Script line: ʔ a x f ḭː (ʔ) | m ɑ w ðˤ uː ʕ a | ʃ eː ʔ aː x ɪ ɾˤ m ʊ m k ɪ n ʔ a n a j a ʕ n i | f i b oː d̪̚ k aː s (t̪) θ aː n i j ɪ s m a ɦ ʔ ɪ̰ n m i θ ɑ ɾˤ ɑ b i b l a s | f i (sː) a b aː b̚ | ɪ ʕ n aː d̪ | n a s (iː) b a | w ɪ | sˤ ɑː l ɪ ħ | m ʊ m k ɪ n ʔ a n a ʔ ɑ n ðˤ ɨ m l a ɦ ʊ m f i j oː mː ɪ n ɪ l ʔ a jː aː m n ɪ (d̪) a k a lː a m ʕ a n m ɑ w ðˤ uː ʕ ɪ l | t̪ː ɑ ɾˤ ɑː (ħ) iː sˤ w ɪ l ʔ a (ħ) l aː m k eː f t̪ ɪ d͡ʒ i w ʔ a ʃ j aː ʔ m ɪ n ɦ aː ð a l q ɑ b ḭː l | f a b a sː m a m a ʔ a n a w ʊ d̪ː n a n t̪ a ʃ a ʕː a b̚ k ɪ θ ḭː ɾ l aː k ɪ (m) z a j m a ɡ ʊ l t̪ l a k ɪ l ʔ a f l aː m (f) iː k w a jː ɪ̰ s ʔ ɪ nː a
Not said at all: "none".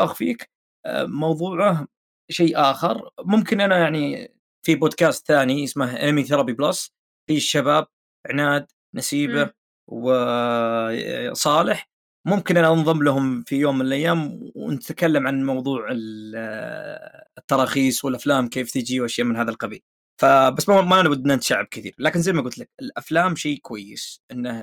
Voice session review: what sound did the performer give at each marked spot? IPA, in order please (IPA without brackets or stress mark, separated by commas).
k, t̪, ʃː, iː, t̪, x, f, n, ʃ